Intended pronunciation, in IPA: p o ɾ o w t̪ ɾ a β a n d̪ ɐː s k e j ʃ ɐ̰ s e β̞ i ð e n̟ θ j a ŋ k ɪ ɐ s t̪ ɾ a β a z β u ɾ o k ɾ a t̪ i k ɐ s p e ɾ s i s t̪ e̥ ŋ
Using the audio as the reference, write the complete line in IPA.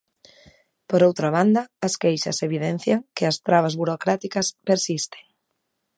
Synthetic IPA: p o ɾ o w t̪ ɾ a β a n d̪ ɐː s k e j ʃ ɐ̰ s e β̞ i ð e n̟ θ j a ŋ k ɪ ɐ s t̪ ɾ a β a z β u ɾ o k ɾ a t̪ i k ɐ s p e ɾ s i s t̪ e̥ ŋ